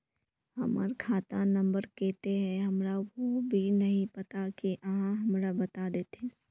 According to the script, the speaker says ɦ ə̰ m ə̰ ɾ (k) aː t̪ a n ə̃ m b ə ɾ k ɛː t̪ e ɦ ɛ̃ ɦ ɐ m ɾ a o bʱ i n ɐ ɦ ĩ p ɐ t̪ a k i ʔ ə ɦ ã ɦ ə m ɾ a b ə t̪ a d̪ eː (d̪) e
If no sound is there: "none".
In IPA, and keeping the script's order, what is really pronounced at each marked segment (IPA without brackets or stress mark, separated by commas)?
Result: kʰ, t̪